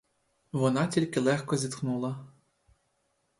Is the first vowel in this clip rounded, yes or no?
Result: yes